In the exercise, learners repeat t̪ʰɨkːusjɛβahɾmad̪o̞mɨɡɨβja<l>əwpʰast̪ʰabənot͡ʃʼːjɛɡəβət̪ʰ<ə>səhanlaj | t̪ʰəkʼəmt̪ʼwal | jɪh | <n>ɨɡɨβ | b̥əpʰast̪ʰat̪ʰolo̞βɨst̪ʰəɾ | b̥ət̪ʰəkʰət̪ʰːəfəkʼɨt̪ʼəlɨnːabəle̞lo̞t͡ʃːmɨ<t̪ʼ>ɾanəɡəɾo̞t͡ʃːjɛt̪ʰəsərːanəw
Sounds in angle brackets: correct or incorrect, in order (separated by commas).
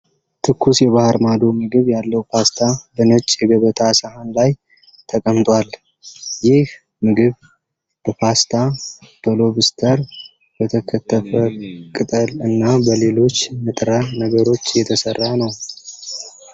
incorrect, incorrect, incorrect, correct